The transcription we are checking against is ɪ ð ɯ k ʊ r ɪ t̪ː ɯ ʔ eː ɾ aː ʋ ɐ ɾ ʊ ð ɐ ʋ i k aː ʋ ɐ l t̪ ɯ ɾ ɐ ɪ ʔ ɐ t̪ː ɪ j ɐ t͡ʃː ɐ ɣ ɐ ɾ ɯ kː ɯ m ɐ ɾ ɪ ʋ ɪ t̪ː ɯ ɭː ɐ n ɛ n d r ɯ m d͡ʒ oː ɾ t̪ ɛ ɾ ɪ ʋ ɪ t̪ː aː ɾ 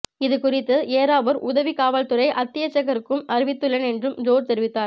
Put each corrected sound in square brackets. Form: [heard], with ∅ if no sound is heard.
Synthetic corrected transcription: ɪ ð ɯ k ʊ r ɪ t̪ː ɯ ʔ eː ɾ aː ʋ ɐ ɾ ʊ ð ɐ ʋ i k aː ʋ ɐ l t̪ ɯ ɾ ɐ ɪ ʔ ɐ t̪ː ɪ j ɐ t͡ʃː ɐ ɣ ɐ ɾ ɯ kː ɯ m ɐ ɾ ɪ ʋ ɪ t̪ː ɯ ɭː ɐ n ɛ n d r ɯ m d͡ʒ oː ɾ t̪ ɛ ɾ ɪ ʋ ɪ t̪ː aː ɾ

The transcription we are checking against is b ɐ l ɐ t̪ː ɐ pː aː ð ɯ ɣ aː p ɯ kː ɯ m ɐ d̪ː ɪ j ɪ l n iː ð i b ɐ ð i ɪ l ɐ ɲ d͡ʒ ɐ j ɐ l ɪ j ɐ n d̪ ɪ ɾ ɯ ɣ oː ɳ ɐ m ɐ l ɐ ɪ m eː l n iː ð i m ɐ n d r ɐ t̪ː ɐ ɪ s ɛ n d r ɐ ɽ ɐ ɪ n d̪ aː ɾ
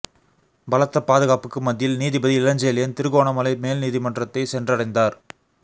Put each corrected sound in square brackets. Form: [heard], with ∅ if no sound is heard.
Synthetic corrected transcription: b ɐ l ɐ t̪ː ɐ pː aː ð ɯ ɣ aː p ɯ kː ɯ m ɐ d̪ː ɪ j ɪ l n iː ð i b ɐ ð i ɪ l ɐ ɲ d͡ʒ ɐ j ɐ l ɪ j ɐ n [t̪] ɪ ɾ ɯ ɣ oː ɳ ɐ m ɐ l ɐ ɪ m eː l n iː ð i m ɐ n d r ɐ t̪ː ɐ ɪ s ɛ n d r ɐ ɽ ɐ ɪ n d̪ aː ɾ

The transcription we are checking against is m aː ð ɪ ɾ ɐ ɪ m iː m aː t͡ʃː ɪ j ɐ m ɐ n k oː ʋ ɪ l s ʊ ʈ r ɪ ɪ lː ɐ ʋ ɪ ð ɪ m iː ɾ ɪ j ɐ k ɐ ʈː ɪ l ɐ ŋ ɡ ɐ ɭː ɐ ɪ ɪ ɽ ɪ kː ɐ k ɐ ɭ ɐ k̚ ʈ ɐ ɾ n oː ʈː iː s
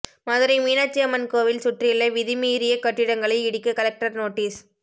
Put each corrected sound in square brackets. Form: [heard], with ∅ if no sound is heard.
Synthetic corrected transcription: m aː ð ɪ ɾ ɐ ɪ m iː [n] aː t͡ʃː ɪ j ɐ m ɐ n k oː ʋ ɪ l s ʊ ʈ r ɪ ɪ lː ɐ ʋ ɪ ð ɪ m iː ɾ ɪ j ɐ k ɐ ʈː ɪ [ɽ] ɐ ŋ ɡ ɐ [ɭ] ɐ ɪ ɪ ɽ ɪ kː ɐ k ɐ [l] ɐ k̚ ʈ ɐ ɾ n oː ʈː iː s

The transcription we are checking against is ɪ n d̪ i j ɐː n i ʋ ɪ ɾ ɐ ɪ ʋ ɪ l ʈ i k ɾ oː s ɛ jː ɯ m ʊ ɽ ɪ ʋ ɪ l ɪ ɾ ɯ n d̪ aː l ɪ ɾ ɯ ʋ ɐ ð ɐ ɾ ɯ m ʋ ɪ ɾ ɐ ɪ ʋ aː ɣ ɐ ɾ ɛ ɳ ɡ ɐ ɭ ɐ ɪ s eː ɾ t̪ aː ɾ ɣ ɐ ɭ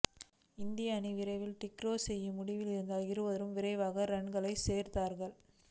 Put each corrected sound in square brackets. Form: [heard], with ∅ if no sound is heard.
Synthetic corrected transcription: ɪ n d̪ [ɪ] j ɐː n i ʋ ɪ ɾ ɐ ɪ ʋ ɪ l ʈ [ɪ] k ɾ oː s ɛ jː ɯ m ʊ ɽ ɪ ʋ ɪ l ɪ ɾ ɯ n d̪ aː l ɪ ɾ ɯ ʋ ɐ ð ɐ ɾ ɯ m ʋ ɪ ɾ ɐ ɪ ʋ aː ɣ ɐ ɾ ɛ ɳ ɡ ɐ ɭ ɐ ɪ s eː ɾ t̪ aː ɾ ɣ ɐ ɭ

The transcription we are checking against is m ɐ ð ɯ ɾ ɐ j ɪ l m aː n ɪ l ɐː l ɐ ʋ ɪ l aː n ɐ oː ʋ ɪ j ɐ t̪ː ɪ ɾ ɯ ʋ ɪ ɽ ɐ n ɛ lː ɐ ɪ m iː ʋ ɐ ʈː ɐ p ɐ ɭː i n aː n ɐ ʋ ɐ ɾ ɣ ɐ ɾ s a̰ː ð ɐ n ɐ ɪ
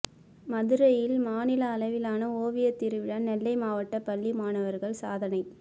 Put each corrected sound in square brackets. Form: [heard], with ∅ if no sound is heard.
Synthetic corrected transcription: m ɐ ð ɯ ɾ ɐ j ɪ l m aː n ɪ l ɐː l ɐ ʋ ɪ l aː n ɐ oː ʋ ɪ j ɐ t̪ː ɪ ɾ ɯ ʋ ɪ ɽ ɐ n ɛ lː ɐ ɪ m [aː] ʋ ɐ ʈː ɐ p ɐ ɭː i [m] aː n ɐ ʋ ɐ ɾ ɣ ɐ [ɭ] s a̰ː ð ɐ n ɐ ɪ

